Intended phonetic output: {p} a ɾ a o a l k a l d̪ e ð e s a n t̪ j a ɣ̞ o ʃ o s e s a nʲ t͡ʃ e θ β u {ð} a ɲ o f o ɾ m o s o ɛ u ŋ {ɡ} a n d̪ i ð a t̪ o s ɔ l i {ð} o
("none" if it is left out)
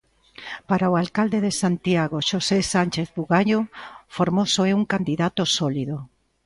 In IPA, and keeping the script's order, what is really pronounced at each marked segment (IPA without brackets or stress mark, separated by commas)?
p, ɣ, k, ð